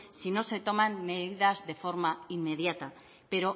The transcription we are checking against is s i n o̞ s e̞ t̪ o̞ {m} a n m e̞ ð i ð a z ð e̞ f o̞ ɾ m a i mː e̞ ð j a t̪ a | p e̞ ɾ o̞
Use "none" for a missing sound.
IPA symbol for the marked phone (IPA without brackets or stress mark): m